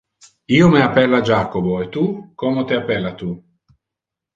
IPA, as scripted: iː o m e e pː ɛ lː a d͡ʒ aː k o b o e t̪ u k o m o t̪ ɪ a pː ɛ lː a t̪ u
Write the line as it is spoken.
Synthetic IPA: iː o m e a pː ɛ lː a d͡ʒ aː k o b o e t̪ u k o m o t̪ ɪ a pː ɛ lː a t̪ u